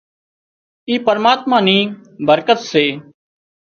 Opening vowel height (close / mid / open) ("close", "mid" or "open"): close